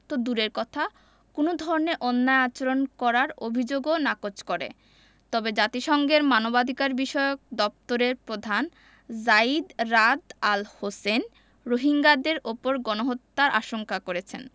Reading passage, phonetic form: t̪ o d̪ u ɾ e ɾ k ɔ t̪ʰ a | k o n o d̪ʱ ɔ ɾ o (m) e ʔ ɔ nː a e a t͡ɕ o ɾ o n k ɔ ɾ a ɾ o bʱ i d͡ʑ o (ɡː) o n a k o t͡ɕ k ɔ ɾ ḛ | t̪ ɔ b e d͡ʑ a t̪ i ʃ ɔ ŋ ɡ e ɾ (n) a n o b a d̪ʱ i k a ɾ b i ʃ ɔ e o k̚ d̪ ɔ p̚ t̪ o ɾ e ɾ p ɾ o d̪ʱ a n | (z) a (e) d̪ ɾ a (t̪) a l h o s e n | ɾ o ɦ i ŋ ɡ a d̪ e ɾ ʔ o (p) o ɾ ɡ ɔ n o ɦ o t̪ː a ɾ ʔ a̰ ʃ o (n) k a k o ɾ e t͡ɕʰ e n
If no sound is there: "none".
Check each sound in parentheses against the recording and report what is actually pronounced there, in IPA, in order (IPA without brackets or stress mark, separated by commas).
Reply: n, ɡ, m, z, i, d̪, p, ŋ